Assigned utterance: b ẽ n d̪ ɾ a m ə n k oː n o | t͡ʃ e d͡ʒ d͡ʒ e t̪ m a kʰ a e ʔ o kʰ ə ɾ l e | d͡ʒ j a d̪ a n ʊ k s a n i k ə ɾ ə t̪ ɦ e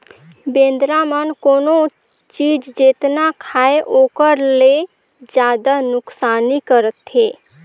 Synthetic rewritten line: b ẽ n d̪ ɾ a m ə n k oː n o | t͡ʃ i d͡ʒ d͡ʒ e t̪ n a kʰ a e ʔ o k ə ɾ l e | d͡ʒ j a d̪ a n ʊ k s a n i k ə ɾ ə t̪ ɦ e